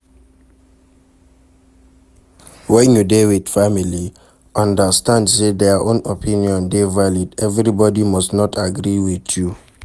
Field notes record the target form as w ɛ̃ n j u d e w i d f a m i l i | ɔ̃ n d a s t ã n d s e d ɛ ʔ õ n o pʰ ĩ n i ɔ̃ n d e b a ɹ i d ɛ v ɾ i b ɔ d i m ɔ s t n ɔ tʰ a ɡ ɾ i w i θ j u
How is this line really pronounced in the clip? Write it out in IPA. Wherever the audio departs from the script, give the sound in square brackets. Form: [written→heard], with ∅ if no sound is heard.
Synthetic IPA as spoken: w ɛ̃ n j u d e w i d f a m i l i | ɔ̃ n d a s t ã n d s e d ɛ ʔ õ n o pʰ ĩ n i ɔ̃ n d e [b→v] a [ɹ→l] i d ɛ v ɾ i b ɔ d i m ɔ s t n ɔ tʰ a ɡ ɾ i w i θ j u